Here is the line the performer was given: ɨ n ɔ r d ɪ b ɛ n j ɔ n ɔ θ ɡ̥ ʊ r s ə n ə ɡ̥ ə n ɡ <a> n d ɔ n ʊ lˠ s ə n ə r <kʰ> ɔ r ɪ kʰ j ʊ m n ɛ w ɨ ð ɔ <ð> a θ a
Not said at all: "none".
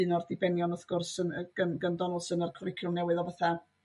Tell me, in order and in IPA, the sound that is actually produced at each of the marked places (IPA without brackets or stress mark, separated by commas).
ə, kʰ, v